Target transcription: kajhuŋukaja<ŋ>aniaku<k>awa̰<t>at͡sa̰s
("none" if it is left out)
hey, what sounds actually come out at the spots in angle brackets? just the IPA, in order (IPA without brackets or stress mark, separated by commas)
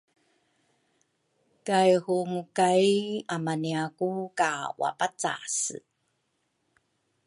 m, k, p